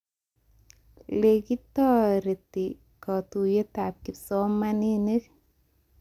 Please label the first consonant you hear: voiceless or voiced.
voiced